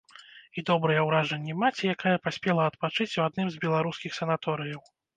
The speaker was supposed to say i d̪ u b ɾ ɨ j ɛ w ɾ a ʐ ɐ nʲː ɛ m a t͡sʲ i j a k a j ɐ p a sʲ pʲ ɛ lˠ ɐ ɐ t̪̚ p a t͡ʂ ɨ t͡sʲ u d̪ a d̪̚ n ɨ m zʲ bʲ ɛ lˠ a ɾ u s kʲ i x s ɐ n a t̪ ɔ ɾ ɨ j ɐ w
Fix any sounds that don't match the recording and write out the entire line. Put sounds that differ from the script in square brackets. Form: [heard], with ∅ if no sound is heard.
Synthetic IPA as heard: i d̪ [ɔ] b ɾ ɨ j ɛ w ɾ a ʐ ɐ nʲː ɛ m a t͡sʲ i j a k a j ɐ p a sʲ pʲ ɛ lˠ ɐ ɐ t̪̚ p a t͡ʂ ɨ t͡sʲ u [∅] a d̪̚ n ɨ m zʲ bʲ ɛ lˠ a ɾ u s kʲ i x s ɐ n a t̪ ɔ ɾ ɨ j ɐ w